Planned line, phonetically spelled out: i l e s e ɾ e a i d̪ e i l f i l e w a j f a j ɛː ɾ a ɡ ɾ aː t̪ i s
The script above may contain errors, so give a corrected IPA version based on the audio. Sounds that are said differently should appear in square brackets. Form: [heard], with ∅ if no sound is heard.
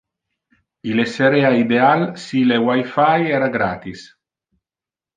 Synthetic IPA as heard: i l e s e ɾ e a i d̪ e [a] l [s] i l e w a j f a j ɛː ɾ a ɡ ɾ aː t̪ i s